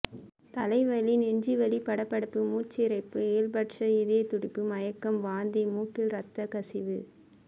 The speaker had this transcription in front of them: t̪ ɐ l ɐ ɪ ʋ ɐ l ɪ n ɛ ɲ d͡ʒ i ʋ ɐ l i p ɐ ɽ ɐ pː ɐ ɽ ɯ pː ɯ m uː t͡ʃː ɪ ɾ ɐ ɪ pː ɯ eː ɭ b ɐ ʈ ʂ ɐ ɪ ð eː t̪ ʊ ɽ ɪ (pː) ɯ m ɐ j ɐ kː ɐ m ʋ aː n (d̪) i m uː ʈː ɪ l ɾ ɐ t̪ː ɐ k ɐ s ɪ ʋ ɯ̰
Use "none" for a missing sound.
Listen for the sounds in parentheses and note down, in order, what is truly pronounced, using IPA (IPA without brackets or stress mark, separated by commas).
pː, d̪